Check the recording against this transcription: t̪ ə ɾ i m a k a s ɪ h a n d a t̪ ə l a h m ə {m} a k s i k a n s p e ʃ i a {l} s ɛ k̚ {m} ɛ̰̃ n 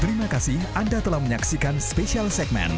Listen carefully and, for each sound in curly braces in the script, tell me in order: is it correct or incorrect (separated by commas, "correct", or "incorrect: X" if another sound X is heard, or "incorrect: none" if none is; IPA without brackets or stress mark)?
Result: incorrect: ɲ, correct, correct